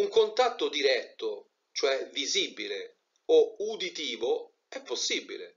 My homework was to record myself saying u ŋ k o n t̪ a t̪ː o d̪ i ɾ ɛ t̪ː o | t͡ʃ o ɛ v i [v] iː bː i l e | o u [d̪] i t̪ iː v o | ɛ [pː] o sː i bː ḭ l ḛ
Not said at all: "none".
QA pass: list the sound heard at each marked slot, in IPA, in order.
z, d̪, pː

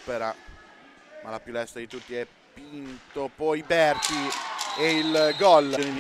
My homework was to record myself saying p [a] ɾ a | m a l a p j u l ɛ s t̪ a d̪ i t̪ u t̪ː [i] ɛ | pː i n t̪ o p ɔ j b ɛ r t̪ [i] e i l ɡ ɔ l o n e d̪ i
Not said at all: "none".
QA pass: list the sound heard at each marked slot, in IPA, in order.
e, i, i

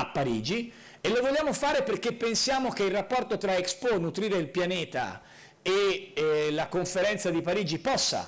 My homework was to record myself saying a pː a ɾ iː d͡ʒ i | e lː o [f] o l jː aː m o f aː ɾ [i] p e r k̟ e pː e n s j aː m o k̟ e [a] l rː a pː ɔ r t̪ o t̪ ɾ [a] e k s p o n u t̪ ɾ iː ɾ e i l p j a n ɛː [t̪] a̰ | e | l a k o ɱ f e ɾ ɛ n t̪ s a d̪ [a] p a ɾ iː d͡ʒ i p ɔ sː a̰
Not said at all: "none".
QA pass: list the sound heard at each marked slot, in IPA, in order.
v, e, i, a, t̪, i

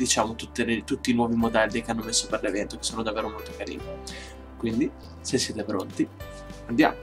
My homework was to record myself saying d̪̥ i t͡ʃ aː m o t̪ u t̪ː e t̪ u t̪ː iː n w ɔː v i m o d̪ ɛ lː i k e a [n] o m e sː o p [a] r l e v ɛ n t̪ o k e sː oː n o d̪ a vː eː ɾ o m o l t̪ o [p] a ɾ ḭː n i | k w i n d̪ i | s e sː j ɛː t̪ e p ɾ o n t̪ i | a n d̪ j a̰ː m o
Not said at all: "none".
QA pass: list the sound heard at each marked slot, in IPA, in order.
nː, e, k

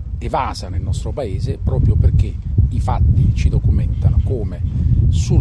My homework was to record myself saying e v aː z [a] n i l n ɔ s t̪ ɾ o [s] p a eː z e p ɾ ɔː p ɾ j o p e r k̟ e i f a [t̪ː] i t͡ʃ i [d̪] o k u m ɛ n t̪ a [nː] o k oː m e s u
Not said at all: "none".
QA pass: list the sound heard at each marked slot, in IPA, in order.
a, none, t̪ː, d̪, n

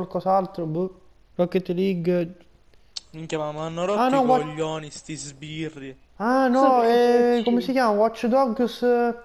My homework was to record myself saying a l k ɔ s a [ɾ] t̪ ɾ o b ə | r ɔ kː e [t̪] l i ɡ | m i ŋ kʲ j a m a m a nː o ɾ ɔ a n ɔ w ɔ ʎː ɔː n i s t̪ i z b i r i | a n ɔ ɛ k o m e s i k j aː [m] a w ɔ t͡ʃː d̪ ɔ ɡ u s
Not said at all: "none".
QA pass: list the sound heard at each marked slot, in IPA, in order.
l, t̪, m

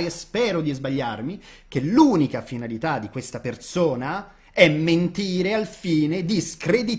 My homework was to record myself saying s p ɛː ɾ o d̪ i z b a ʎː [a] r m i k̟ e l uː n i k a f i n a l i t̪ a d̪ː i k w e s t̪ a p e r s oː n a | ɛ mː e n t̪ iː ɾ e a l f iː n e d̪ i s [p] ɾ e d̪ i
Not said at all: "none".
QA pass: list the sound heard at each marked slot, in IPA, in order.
a, k

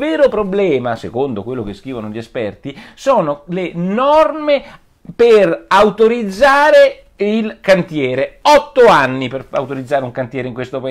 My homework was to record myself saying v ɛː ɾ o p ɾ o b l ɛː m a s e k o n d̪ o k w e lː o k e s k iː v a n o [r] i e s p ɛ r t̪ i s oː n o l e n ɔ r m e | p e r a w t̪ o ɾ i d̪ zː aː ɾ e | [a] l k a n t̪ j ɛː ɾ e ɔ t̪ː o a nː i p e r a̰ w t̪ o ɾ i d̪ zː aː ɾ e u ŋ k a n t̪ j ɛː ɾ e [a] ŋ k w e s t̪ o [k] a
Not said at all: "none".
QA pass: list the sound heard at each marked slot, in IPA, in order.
ʎ, i, i, p

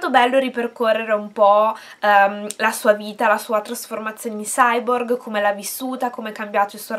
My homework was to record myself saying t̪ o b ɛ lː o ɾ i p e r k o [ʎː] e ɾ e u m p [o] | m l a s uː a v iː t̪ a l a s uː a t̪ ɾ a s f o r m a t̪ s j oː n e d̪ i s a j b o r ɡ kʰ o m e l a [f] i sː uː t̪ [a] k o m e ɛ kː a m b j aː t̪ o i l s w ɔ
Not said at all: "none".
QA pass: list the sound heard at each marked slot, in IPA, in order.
rː, ɔ, v, a

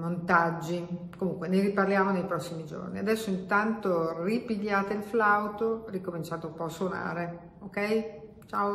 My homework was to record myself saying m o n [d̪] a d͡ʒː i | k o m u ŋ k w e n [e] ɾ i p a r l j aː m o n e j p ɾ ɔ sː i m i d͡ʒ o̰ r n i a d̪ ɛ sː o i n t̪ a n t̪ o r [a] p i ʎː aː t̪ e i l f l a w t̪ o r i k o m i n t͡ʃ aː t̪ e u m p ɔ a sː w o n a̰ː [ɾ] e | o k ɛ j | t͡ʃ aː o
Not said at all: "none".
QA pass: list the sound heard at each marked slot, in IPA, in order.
t̪, e, i, ɾ

